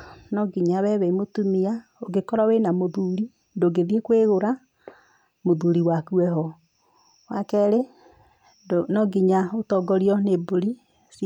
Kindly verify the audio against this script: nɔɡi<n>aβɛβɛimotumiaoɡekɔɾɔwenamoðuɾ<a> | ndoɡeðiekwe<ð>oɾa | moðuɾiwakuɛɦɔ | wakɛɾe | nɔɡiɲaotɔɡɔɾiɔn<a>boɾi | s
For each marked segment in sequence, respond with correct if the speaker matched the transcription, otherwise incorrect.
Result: incorrect, incorrect, incorrect, incorrect

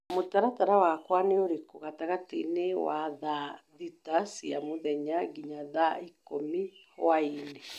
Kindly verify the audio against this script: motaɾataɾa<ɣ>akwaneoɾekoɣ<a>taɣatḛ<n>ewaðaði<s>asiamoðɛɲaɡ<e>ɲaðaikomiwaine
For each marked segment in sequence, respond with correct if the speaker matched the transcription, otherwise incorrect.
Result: incorrect, correct, correct, incorrect, incorrect

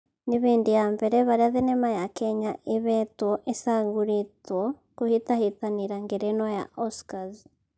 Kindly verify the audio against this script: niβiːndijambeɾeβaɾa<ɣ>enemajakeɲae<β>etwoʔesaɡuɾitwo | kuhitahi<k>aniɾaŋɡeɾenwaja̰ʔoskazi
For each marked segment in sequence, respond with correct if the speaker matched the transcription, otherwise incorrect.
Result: incorrect, correct, incorrect

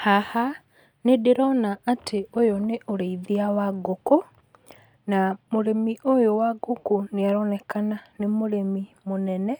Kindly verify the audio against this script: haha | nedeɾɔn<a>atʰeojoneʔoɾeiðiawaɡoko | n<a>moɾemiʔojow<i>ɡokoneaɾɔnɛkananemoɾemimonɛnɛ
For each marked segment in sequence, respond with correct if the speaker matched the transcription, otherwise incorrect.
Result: correct, correct, incorrect

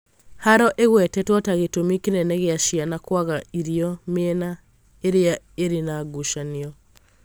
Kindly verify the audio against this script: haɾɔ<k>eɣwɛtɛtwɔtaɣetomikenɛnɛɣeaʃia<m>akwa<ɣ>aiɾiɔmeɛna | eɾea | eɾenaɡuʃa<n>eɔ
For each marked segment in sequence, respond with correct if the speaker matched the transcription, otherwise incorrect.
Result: incorrect, incorrect, correct, correct

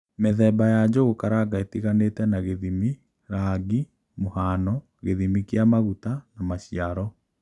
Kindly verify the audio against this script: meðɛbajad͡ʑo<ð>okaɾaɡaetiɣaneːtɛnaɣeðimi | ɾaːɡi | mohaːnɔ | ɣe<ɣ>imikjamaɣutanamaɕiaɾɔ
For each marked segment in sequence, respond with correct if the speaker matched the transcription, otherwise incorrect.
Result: incorrect, incorrect

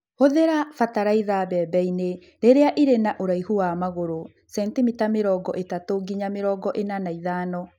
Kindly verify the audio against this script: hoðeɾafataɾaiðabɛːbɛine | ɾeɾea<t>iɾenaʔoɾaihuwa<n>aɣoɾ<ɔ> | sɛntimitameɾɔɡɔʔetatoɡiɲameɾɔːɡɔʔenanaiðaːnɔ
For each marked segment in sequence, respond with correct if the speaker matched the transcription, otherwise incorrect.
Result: incorrect, incorrect, incorrect

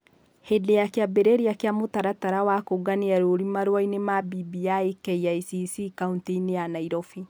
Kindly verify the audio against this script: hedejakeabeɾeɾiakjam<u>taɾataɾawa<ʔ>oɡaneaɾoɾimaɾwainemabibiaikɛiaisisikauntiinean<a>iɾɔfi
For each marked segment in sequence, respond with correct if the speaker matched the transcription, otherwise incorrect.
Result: incorrect, incorrect, correct

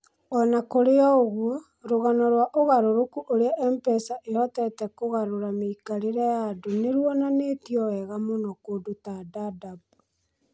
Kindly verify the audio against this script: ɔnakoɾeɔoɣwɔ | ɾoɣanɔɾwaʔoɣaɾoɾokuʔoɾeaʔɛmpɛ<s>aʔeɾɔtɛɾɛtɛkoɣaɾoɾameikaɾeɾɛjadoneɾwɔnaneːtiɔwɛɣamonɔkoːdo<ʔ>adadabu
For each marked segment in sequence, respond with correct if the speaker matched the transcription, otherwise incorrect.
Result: correct, incorrect

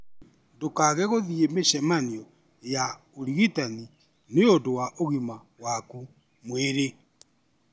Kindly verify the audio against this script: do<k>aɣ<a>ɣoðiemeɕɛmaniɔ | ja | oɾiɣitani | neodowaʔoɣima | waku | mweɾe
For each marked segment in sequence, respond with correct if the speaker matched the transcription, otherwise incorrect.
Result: correct, incorrect

